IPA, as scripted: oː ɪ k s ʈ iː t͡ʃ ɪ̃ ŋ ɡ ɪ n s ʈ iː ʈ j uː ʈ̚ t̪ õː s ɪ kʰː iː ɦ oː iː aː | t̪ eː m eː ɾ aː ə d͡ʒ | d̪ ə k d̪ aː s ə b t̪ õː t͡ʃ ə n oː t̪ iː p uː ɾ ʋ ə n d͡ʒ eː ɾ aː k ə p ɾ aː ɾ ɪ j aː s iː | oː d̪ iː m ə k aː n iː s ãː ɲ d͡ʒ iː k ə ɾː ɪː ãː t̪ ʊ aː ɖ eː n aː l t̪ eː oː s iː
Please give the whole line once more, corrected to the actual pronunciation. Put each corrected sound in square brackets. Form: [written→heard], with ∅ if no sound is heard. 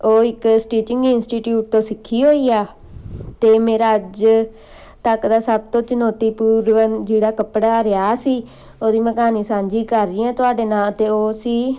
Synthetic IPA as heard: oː ɪ k s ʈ iː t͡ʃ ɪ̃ ŋ ɡ ɪ n s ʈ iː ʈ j uː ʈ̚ t̪ õː s ɪ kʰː iː ɦ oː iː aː | t̪ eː m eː ɾ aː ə d͡ʒ | [d̪→t̪] ə k d̪ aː s ə b t̪ õː t͡ʃ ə n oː t̪ iː p uː ɾ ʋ ə n d͡ʒ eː [ɾ→ɽ] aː k ə p [ɾ→ɽ] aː ɾ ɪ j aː s iː | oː d̪ iː m ə k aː n iː s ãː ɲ d͡ʒ iː k ə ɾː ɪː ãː t̪ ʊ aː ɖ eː n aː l t̪ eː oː s iː